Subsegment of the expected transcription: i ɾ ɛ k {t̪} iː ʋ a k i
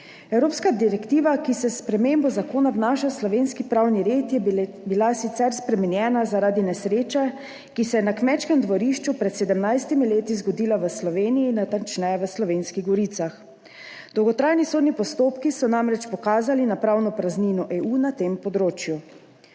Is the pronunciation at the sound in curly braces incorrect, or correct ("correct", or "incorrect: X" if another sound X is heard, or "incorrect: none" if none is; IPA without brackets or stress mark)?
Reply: correct